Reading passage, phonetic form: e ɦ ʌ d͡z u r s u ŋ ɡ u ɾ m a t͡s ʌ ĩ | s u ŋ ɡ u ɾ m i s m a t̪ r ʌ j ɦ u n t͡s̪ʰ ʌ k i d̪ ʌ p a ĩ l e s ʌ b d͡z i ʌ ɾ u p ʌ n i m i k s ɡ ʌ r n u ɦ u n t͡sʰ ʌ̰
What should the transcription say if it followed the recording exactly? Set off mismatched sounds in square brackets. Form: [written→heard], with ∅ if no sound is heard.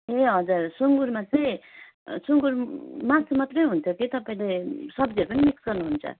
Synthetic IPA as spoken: e ɦ ʌ d͡z u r s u ŋ ɡ u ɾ m a t͡s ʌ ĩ | s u ŋ ɡ u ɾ m [i→a] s m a t̪ r ʌ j ɦ u n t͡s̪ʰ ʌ k i [d̪→t̪] ʌ p a ĩ l e s ʌ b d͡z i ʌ ɾ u p ʌ n i m i k s ɡ ʌ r n u ɦ u n t͡sʰ ʌ̰